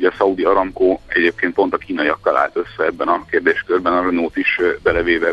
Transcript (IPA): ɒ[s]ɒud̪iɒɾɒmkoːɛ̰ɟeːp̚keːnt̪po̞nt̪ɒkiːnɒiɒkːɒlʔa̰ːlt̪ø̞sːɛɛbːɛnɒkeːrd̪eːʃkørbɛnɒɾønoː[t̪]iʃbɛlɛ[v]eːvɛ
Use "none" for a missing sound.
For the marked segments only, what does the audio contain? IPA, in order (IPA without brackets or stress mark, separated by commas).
s, t̪, v